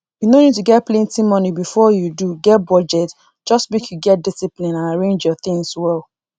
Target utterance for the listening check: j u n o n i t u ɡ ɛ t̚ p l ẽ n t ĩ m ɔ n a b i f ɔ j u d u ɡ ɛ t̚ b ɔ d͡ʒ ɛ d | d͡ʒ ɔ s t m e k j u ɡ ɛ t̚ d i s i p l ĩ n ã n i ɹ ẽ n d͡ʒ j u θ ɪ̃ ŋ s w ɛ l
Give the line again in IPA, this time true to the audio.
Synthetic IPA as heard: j u n o n i t u ɡ ɛ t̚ p l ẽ n t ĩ m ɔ n i b i f ɔ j u d u ɡ ɛ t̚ b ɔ d͡ʒ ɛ t | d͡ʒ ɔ s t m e k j u ɡ ɛ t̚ d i s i p l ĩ n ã n a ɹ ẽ n d͡ʒ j ɔ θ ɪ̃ ŋ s w ɛ l